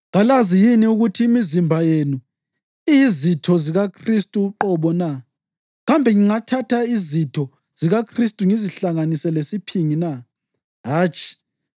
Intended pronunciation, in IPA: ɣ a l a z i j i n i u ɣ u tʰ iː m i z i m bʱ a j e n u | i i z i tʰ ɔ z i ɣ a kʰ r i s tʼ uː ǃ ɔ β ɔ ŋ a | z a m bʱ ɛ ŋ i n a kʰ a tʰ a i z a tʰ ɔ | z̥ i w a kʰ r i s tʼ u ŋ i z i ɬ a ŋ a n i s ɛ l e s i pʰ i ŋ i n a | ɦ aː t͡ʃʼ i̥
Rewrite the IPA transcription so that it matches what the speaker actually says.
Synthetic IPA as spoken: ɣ a l a z i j i n i u ɣ u tʰ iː m i z i m bʱ a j e n u | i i z i tʰ ɔ z i ɣ a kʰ r i s tʼ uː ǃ ɔ β ɔ n a | ɣ a m bʱ ɛ ŋ i ŋ a tʰ a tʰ a i z i tʰ ɔ | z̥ i ɣ a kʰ r i s tʼ u ŋ i z i ɬ a ŋ a n i s ɛ l e s i pʰ i ŋ i n a | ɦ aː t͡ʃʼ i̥